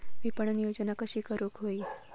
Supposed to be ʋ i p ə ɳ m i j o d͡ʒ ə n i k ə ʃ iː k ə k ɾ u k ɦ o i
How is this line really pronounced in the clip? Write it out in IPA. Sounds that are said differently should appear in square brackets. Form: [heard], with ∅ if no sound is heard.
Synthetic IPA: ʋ i p ə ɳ [n] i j o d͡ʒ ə n [a] k ə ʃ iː k ə [∅] ɾ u k ɦ o i